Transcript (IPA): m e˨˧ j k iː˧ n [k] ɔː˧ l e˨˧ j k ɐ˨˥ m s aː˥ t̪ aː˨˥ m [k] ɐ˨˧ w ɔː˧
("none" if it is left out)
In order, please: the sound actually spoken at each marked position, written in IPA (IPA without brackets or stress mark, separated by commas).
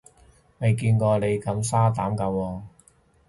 k, k